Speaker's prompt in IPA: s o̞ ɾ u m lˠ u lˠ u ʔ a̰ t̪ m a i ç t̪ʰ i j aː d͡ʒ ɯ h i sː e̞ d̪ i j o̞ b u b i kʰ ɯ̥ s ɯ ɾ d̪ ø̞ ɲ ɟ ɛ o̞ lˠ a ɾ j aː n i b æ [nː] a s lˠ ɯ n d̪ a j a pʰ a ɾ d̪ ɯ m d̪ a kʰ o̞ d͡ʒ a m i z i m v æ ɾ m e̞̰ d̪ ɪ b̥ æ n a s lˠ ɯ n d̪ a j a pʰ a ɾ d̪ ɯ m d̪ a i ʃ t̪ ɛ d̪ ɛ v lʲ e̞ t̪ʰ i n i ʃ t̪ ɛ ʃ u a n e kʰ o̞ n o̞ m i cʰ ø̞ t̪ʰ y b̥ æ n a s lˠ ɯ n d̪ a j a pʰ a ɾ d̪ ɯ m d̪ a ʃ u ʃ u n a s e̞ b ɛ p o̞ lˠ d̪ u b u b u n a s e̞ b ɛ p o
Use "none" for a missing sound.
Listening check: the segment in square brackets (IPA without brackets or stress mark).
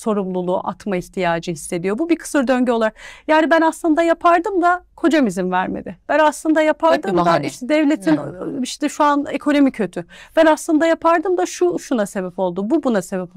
n